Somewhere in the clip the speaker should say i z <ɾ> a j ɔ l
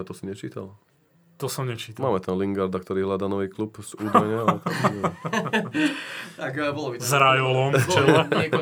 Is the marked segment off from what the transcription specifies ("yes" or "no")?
no